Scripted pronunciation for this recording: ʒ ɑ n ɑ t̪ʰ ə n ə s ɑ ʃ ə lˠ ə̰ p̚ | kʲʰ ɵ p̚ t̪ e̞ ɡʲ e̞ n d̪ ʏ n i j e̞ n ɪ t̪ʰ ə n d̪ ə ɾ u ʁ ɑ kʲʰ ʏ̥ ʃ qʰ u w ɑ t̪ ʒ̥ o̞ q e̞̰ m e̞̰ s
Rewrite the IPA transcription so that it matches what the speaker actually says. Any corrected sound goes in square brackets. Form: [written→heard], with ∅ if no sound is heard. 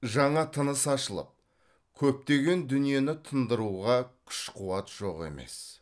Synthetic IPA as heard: ʒ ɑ [n→ɴ] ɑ t̪ʰ ə n ə s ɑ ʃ ə lˠ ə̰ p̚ | kʲʰ ɵ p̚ t̪ e̞ ɡʲ e̞ n d̪ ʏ n i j e̞ n ɪ t̪ʰ ə n d̪ ə ɾ u ʁ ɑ kʲʰ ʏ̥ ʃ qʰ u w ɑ t̪ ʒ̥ o̞ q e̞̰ m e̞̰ s